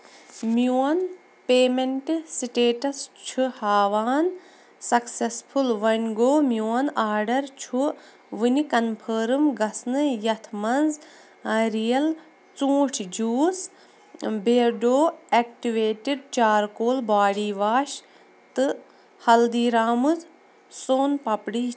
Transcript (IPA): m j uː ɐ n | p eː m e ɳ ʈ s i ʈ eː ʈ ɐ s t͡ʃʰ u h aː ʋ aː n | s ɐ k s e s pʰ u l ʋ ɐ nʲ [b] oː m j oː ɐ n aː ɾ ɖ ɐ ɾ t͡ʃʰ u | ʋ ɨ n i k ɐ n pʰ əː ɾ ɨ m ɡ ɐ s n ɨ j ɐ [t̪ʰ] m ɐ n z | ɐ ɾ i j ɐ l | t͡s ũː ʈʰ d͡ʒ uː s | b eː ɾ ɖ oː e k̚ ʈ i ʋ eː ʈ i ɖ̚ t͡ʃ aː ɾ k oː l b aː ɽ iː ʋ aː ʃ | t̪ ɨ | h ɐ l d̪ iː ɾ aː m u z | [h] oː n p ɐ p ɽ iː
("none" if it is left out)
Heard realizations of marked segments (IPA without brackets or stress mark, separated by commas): ɡ, t̪ʰ, s